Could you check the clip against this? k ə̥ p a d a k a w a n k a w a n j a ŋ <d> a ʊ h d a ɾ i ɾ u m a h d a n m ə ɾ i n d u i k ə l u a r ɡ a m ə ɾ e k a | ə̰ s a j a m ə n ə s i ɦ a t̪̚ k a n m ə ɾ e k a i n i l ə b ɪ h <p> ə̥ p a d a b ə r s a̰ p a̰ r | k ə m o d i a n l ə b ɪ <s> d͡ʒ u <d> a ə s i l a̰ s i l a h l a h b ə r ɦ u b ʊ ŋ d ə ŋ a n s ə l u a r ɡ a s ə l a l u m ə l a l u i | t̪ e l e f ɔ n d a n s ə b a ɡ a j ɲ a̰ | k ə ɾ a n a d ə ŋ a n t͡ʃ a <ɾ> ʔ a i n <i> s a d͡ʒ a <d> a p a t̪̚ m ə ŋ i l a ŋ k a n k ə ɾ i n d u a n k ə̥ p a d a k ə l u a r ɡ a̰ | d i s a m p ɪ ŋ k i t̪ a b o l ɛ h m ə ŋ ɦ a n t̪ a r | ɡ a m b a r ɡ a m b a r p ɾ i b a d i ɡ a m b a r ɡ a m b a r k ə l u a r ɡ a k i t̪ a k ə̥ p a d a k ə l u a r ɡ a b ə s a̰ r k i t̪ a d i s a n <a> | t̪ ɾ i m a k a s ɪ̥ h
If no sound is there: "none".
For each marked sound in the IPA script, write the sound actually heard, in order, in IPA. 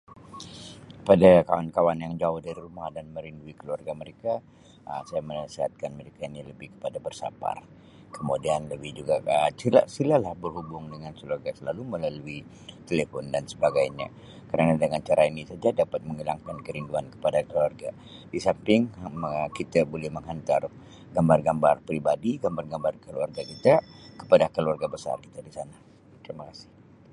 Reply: d͡ʒ, k, h, ɡ, ɾ, i, d, a

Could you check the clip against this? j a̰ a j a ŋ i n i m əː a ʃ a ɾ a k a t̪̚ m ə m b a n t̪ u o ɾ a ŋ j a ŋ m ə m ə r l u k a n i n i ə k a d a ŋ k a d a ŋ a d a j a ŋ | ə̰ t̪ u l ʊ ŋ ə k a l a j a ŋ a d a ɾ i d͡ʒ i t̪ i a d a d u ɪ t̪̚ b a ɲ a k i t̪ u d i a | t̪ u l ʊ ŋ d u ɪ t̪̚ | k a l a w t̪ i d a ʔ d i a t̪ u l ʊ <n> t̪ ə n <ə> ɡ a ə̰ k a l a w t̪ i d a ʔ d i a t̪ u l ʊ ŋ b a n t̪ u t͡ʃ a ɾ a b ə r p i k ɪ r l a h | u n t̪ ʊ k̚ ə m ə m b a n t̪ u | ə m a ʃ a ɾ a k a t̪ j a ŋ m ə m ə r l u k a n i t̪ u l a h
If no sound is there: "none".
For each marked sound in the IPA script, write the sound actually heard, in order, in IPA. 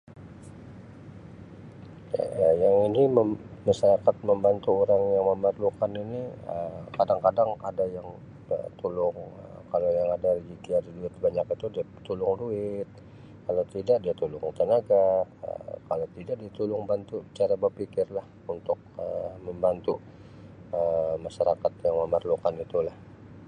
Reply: ŋ, a

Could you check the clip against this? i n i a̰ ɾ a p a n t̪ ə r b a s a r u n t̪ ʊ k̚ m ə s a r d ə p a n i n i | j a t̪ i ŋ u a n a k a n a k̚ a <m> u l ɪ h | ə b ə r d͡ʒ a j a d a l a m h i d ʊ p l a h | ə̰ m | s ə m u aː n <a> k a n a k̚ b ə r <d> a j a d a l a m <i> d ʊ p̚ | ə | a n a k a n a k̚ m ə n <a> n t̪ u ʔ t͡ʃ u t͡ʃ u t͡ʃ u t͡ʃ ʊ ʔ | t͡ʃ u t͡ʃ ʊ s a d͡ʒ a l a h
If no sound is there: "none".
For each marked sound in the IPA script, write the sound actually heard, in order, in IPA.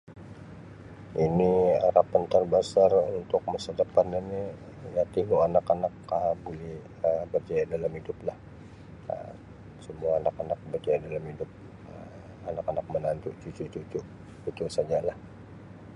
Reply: b, a, d͡ʒ, i, a

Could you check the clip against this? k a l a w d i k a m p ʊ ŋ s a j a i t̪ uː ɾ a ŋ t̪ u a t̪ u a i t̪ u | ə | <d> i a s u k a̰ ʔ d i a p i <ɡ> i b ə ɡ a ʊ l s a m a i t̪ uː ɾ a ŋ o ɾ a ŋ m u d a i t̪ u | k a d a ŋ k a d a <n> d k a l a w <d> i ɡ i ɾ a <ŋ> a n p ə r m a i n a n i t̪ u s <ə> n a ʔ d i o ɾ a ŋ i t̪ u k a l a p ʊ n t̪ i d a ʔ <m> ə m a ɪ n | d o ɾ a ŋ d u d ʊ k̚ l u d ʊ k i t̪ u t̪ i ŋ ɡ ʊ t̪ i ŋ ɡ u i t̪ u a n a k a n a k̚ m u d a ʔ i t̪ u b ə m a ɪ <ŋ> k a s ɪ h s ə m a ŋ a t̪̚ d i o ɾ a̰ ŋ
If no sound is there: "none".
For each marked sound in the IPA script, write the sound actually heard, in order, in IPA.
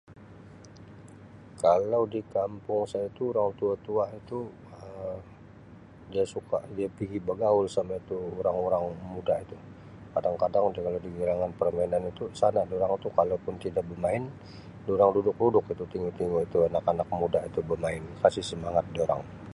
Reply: d, ɡ, ŋ, d, ŋ, a, b, n

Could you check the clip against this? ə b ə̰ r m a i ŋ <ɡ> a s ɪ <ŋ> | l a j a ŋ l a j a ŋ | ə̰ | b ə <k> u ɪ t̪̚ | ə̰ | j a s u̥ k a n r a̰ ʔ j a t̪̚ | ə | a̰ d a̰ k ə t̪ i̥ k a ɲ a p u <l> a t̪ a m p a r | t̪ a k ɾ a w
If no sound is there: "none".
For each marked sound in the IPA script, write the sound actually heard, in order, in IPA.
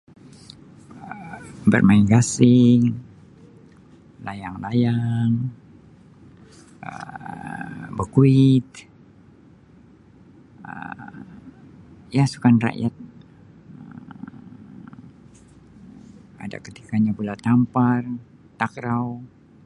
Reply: ɡ, ŋ, k, l

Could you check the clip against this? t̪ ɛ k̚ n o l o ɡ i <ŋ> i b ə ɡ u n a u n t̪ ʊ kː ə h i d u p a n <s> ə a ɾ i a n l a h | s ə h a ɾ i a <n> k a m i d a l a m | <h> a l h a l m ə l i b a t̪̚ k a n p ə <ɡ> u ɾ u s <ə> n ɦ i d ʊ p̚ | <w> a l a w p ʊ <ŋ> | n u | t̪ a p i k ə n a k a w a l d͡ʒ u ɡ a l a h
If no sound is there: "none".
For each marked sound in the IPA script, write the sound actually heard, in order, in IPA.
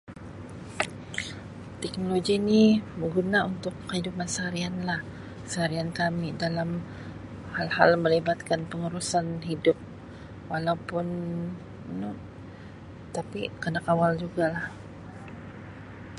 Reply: n, s, n, h, ŋ, a, w, n

